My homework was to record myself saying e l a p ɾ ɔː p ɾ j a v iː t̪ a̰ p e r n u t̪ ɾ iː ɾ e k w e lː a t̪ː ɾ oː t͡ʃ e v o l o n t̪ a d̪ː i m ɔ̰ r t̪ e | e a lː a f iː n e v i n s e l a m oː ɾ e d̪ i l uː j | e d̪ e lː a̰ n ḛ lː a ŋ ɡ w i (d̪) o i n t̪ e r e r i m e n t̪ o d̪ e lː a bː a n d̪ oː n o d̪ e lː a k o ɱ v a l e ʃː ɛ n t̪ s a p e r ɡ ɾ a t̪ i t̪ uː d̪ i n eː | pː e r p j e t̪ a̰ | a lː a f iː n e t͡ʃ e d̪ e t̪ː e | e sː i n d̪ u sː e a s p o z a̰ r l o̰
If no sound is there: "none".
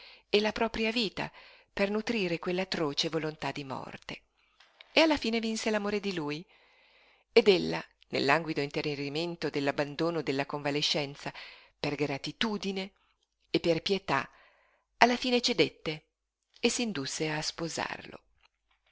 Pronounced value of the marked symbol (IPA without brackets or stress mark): d̪